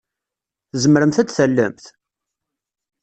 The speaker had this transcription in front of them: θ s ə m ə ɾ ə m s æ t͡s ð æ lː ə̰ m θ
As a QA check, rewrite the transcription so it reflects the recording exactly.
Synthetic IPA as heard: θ z ə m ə ɾ ə m θ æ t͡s θ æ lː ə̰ m θ